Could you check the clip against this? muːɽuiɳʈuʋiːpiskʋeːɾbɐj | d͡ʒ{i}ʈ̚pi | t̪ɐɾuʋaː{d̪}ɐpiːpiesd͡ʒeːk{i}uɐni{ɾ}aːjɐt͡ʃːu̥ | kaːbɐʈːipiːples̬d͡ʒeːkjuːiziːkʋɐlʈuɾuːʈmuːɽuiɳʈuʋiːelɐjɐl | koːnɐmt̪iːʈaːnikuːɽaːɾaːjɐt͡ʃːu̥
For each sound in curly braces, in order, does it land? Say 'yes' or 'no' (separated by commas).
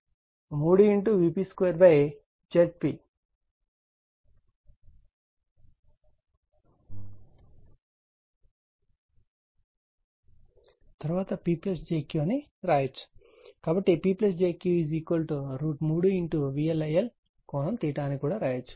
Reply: no, no, no, yes